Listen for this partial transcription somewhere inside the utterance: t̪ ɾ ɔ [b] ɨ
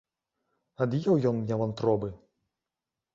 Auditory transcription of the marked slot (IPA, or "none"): b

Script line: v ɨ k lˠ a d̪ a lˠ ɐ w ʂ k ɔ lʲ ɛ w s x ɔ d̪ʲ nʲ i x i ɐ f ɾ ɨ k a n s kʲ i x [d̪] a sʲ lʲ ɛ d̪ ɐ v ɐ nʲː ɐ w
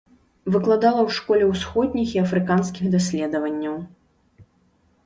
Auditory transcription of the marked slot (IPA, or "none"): d̪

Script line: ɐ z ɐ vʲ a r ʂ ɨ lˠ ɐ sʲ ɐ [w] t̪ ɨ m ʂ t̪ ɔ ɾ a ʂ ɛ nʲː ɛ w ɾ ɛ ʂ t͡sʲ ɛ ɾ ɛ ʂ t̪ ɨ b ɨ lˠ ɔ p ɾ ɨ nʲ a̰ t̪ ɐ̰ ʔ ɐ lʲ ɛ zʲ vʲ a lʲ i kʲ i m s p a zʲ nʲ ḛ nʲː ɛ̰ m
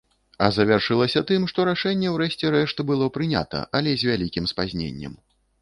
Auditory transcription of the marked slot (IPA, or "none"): none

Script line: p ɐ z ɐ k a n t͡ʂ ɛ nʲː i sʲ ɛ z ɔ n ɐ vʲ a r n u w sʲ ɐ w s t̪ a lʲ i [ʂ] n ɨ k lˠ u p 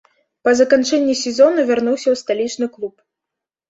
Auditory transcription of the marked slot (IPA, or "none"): t͡ʂ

